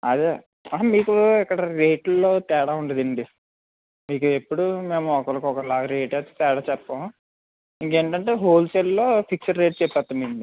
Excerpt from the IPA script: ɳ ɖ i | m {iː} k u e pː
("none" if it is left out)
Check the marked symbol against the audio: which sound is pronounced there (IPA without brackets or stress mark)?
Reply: iː